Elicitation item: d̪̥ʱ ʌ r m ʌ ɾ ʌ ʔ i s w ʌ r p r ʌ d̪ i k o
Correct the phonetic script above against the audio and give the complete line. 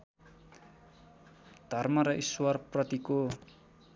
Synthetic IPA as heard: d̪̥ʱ ʌ r m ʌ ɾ ʌ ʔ i s w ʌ r p r ʌ t̪ i k o